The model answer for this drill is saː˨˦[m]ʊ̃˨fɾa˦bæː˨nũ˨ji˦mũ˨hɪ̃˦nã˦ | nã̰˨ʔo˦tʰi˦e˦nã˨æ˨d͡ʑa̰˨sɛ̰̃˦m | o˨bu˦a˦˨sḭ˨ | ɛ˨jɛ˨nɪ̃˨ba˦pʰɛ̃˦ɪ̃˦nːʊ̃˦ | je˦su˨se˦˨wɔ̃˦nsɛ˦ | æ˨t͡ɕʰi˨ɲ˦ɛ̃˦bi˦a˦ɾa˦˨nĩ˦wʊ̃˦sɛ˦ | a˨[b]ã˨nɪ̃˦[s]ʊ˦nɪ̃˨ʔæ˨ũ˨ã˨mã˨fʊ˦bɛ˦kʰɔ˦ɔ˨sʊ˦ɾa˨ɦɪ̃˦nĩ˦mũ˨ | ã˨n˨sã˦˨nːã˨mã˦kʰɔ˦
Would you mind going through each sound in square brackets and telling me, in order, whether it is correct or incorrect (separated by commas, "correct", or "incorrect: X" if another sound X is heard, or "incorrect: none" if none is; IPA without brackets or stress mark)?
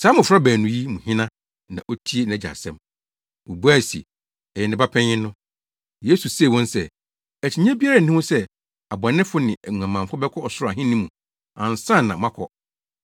correct, correct, incorrect: f